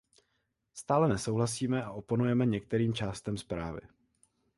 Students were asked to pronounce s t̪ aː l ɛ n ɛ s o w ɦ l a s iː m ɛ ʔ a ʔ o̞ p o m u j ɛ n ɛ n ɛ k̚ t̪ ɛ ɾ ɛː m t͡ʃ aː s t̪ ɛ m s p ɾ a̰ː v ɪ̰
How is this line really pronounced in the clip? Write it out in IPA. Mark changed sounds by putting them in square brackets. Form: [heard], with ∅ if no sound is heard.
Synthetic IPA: s t̪ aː l ɛ n ɛ s o w ɦ l a s iː m ɛ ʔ a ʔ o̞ p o [n] u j ɛ [m] ɛ [ɲ] ɛ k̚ t̪ ɛ ɾ [iː] m t͡ʃ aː s t̪ ɛ m s p ɾ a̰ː v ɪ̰